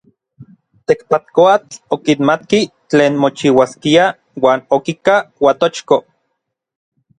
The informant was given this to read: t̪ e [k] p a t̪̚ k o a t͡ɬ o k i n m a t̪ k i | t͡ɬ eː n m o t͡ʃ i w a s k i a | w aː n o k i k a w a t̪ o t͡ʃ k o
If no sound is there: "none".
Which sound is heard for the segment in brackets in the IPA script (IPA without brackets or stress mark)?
k